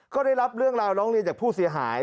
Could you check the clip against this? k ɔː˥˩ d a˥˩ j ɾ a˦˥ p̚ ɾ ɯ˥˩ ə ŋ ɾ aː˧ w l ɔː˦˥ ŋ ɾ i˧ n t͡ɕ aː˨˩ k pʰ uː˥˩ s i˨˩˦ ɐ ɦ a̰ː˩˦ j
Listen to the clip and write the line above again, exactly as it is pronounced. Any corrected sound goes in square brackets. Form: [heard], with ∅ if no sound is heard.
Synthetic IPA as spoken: k ɔː˥˩ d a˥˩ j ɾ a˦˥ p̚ ɾ ɯ˥˩ ə ŋ ɾ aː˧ w [ɾ] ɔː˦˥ ŋ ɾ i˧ n t͡ɕ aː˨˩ k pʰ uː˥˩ s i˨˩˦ ɐ ɦ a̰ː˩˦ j